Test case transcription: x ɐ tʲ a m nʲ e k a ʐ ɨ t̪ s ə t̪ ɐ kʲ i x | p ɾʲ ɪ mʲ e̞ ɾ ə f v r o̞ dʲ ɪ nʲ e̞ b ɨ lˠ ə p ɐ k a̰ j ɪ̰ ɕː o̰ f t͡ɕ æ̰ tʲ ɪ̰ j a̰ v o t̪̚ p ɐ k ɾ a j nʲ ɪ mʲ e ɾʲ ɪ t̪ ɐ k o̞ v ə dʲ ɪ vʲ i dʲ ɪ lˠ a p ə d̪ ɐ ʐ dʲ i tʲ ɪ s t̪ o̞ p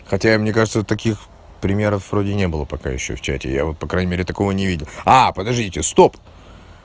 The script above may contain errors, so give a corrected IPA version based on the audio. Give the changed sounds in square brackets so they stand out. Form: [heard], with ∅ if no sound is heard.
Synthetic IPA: x ɐ tʲ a m nʲ e k a ʐ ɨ t̪ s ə t̪ ɐ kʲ i x | p ɾʲ ɪ mʲ e̞ ɾ ə f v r o̞ dʲ ɪ nʲ e̞ b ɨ lˠ ə p ɐ k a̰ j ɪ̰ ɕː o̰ f t͡ɕ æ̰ tʲ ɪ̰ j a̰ v o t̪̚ p ɐ k ɾ a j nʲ ɪ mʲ e ɾʲ ɪ t̪ ɐ k o̞ v ə [nʲ] ɪ vʲ i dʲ ɪ lˠ a p ə d̪ ɐ ʐ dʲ i tʲ ɪ s t̪ o̞ p